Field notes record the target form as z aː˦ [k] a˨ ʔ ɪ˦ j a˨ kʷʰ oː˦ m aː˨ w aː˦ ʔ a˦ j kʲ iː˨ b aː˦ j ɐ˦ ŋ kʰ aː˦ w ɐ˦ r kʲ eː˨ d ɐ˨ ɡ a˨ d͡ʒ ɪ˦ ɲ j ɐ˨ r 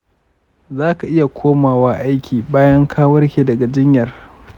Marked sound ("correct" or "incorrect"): correct